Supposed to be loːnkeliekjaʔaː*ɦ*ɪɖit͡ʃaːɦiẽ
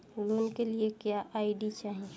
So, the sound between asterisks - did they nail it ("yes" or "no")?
no